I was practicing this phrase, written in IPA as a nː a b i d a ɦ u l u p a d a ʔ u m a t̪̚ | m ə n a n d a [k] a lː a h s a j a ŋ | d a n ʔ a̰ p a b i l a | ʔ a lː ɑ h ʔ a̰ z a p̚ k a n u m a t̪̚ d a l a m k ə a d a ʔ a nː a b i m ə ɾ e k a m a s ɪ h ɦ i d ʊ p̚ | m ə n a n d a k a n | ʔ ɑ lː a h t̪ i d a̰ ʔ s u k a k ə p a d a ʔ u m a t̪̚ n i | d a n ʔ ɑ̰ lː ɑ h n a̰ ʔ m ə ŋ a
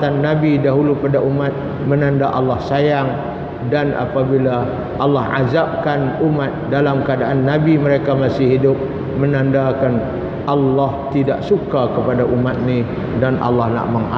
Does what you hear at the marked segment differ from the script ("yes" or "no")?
yes